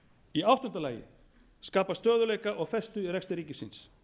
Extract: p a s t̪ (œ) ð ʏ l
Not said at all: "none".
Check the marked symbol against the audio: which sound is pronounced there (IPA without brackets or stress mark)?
œː